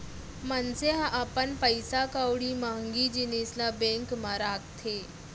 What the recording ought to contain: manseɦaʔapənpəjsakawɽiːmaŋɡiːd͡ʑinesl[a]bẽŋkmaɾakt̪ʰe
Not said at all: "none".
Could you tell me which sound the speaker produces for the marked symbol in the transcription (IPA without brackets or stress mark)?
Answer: a